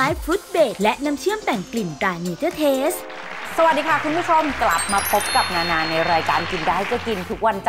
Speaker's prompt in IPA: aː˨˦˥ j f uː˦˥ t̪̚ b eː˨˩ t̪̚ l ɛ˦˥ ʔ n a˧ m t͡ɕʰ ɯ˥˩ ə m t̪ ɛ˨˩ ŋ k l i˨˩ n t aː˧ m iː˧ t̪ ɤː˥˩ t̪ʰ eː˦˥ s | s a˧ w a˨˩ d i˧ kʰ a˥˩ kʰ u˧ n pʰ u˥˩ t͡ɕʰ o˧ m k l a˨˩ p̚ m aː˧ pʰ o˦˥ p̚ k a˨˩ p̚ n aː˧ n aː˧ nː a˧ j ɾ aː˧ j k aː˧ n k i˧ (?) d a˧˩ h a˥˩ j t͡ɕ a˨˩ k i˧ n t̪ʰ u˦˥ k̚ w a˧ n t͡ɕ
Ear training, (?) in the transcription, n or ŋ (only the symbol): n